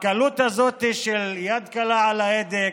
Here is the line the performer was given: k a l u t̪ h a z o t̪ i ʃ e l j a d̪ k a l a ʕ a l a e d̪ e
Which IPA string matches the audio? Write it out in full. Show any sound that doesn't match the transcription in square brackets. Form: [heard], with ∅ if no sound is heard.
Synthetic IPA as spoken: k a l u t̪ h a z o t̪ i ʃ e l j a d̪ k a l a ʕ a l a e d̪ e